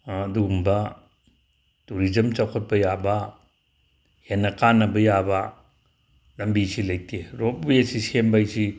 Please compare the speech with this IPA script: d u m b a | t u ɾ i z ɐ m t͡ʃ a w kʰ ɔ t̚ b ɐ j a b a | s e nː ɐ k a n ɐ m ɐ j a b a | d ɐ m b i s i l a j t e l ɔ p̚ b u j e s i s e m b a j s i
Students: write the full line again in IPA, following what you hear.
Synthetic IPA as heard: d u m b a | t u ɾ i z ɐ m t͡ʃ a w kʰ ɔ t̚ b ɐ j a b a | h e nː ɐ k a n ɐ b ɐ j a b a | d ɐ m b i s i l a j t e ɾ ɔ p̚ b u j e s i s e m b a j s i